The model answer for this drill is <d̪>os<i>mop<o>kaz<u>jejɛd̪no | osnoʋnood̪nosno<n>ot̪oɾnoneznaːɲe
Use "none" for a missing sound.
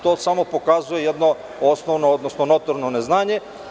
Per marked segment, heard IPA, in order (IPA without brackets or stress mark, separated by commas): t̪, a, o, u, n